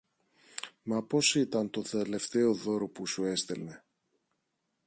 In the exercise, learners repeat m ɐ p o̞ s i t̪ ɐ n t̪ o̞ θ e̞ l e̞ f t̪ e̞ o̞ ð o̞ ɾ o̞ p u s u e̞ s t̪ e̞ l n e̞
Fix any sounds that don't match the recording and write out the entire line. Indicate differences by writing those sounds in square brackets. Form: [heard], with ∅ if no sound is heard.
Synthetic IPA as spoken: m ɐ p o̞ s i t̪ ɐ n t̪ o̞ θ e̞ l e̞ f t̪ e̞ o̞ ð o̞ ɾ o̞ p u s u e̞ s t̪ e̞ l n e̞

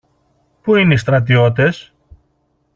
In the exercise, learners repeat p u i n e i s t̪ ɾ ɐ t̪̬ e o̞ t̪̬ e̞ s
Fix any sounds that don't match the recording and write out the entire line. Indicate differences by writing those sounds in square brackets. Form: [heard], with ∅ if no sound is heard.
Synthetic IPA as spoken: p u i n e i s t̪ ɾ ɐ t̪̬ [i] o̞ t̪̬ e̞ s

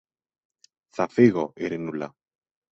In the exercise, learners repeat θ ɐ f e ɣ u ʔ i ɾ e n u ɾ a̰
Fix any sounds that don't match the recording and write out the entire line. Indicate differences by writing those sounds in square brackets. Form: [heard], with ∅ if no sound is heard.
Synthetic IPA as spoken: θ [a] f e ɣ [o] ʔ [e] ɾ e n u [l] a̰

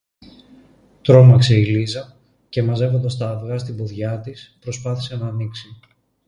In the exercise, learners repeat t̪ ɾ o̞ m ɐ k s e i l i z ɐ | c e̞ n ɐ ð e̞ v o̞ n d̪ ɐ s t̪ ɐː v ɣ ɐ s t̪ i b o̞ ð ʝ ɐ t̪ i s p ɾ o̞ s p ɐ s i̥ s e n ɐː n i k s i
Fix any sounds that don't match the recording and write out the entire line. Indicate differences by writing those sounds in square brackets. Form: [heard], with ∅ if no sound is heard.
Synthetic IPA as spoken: t̪ ɾ o̞ m ɐ k s e i l i z ɐ | c e̞ [m] ɐ [z] e̞ v o̞ n d̪ ɐ s t̪ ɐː v ɣ ɐ s t̪ i b o̞ ð ʝ ɐ t̪ i s p ɾ o̞ s p ɐ [θ] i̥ s e n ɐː n i k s i

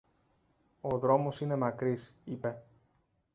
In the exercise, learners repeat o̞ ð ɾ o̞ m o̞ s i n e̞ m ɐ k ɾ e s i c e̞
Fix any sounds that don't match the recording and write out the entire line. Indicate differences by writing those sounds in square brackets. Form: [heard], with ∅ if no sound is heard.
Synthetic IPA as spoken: o̞ ð ɾ o̞ m o̞ s i n e̞ m ɐ k ɾ [i] s i [p] e̞

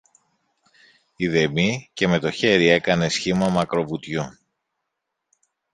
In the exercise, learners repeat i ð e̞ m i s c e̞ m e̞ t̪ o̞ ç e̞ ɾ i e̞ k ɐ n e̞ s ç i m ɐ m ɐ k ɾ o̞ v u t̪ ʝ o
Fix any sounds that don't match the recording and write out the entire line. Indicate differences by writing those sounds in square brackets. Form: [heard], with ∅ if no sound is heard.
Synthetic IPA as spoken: i ð e̞ m i [∅] c e̞ m e̞ t̪ o̞ ç e̞ ɾ i e̞ k ɐ n e̞ s ç i m ɐ m ɐ k ɾ o̞ v u t̪ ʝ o

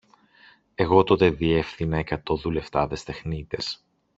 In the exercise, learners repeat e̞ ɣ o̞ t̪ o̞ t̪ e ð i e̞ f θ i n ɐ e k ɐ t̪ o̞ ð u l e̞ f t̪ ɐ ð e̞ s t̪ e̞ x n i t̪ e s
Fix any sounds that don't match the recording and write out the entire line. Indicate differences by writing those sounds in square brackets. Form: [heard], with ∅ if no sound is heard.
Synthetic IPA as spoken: e̞ ɣ o̞ t̪ o̞ t̪ e ð i e̞ f θ i n ɐ e k ɐ t̪ o̞ ð u l e̞ f t̪ ɐ ð e̞ s t̪ e̞ x n i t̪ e s

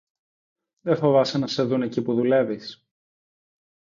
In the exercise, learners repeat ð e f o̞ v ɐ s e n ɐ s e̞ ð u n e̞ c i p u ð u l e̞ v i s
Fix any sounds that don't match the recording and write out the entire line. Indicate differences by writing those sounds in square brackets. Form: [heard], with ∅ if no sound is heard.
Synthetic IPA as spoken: ð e f o̞ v ɐ s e n ɐ s e̞ ð u n e̞ c i p u ð u l e̞ v i s

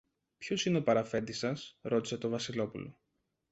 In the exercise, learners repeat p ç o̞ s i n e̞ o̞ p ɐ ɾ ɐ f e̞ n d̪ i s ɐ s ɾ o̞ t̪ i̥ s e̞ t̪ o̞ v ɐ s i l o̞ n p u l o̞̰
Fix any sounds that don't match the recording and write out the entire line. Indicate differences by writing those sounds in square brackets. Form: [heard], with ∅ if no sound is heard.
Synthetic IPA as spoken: p ç o̞ s i n e̞ o̞ p ɐ ɾ ɐ f e̞ n d̪ i s ɐ s ɾ o̞ t̪ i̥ s e̞ t̪ o̞ v ɐ s i l o̞ [∅] p u l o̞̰

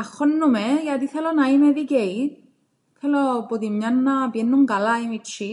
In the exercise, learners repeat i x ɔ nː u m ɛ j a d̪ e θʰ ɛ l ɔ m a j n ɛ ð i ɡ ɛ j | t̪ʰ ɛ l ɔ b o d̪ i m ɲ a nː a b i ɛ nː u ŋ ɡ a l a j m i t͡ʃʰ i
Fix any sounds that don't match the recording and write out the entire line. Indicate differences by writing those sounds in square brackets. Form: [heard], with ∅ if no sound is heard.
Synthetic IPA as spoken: [a] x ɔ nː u m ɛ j a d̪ [i] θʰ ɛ l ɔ [n] a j [m] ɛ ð i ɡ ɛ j | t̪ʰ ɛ l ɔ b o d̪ i m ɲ a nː a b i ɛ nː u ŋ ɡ a l a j m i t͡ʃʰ i

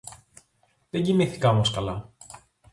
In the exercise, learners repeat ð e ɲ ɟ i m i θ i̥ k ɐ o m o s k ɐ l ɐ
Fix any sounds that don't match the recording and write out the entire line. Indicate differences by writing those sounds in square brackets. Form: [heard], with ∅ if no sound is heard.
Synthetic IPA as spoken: ð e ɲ ɟ i m i θ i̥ k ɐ o m o s k ɐ l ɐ

